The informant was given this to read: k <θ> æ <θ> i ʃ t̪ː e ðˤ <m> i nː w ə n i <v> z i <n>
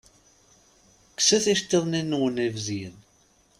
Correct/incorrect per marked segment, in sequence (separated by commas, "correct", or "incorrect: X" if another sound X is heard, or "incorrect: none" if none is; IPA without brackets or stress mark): incorrect: s, correct, incorrect: n, correct, correct